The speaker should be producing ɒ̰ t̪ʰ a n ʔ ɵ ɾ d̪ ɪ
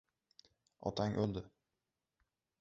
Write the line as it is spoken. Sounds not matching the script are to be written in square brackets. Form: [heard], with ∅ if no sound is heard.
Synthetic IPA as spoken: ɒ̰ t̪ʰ a [ŋ] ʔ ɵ [l] d̪ ɪ